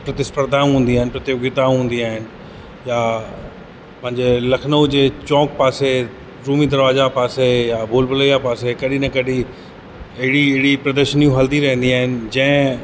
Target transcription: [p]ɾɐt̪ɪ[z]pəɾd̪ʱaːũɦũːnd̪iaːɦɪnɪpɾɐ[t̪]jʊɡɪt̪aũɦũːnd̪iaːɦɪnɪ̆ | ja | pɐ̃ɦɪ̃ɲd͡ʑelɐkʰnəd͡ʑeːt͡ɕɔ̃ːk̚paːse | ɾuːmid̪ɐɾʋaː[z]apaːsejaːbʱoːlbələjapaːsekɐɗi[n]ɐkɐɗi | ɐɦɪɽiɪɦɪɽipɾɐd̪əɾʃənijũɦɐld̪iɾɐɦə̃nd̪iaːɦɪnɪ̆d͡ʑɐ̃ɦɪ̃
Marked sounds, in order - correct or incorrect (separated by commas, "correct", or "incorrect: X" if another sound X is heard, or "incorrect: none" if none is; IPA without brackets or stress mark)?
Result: correct, incorrect: s, correct, correct, correct